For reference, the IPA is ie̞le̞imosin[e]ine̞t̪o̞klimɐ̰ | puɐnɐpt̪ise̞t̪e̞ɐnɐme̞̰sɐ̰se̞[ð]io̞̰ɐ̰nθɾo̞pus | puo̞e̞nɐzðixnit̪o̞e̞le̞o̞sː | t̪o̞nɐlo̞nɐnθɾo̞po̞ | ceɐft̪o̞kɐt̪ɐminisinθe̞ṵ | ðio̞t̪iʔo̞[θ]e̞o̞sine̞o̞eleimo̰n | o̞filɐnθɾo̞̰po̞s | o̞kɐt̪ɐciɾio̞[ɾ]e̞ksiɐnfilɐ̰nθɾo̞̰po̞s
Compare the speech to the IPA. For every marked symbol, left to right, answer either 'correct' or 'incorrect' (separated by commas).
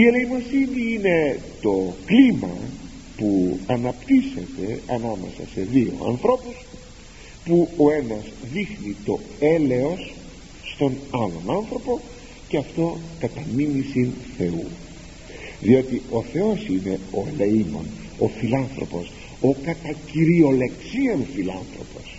incorrect, correct, correct, incorrect